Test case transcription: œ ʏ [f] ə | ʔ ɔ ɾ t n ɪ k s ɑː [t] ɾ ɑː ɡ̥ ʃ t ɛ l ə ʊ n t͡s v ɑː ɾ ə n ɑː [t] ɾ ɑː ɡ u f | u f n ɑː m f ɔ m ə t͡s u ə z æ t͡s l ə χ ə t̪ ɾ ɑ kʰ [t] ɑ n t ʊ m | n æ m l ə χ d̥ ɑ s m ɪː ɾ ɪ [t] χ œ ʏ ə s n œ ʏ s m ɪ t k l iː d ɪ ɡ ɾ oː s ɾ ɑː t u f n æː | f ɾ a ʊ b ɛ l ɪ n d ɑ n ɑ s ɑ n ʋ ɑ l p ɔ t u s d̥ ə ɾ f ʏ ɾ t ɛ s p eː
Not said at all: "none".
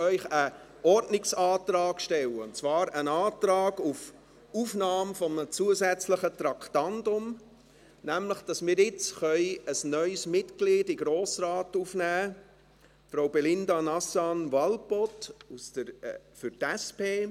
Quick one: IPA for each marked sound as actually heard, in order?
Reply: χ, t, t, t, t͡s

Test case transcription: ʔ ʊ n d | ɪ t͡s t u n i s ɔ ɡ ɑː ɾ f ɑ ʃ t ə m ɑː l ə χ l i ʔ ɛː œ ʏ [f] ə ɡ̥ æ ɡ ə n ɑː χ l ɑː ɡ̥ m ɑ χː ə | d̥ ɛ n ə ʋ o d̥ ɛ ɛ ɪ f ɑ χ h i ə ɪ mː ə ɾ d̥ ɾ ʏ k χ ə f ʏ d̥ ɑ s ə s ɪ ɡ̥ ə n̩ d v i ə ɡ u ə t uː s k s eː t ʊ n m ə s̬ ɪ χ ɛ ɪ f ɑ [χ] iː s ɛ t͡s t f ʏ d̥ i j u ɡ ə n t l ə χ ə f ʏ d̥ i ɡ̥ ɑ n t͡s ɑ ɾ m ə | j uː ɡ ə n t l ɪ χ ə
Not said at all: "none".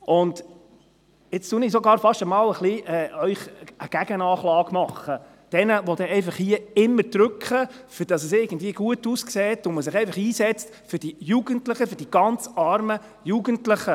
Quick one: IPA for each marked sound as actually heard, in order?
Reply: χ, χ

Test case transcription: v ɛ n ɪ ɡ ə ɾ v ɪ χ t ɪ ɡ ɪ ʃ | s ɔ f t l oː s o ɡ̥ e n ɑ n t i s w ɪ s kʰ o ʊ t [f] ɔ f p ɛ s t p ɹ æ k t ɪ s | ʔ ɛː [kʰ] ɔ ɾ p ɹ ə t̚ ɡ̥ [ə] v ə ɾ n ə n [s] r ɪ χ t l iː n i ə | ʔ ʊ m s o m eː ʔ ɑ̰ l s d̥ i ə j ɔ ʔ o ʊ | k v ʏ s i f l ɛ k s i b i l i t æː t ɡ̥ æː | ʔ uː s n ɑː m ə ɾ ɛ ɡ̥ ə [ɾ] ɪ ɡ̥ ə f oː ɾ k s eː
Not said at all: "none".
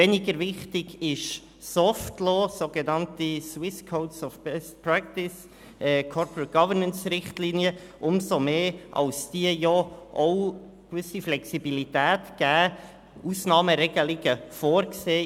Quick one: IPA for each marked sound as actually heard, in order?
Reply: s, kʰ, ɑ, s, l

